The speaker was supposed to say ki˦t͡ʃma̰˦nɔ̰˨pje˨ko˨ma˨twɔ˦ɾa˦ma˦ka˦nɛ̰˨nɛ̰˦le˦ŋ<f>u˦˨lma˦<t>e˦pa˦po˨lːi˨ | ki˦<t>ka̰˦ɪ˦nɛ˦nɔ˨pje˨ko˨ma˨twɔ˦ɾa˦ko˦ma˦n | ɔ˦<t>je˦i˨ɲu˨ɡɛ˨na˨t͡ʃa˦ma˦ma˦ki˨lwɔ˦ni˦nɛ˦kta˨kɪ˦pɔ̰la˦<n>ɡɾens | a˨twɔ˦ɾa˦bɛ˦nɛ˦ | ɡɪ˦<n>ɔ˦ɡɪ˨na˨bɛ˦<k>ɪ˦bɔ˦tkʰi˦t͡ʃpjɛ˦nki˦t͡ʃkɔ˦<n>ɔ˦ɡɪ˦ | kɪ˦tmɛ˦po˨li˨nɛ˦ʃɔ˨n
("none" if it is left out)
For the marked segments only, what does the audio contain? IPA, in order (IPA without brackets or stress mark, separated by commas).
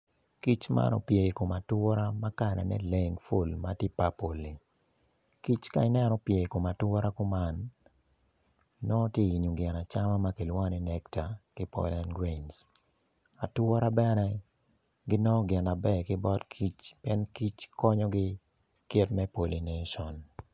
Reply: f, t, t͡ʃ, t, n, n, k, ɲ